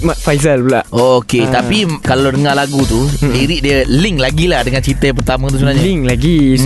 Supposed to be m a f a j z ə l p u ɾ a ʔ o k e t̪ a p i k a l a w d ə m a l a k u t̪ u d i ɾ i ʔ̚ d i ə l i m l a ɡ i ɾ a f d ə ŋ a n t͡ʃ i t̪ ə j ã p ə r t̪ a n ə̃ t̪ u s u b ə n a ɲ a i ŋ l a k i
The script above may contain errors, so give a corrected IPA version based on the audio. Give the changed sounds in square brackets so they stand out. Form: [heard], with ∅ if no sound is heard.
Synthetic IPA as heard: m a f a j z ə l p u [l] a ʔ o k e t̪ a p i k a l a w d ə [ŋ] a l a [ɡ] u t̪ u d i ɾ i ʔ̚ d i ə l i [ŋ] l a ɡ i [l] a [h] d ə ŋ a n t͡ʃ i t̪ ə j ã p ə r t̪ a [m] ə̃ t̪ u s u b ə n a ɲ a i ŋ l a [ɡ] i